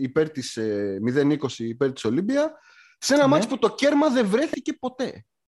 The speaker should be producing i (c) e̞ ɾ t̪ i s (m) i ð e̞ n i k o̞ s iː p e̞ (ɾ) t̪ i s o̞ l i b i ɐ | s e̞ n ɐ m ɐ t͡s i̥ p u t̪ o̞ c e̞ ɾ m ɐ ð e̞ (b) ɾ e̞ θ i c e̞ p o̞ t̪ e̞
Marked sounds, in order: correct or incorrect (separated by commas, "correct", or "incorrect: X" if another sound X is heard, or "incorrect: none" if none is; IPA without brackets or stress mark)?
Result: incorrect: p, correct, correct, incorrect: v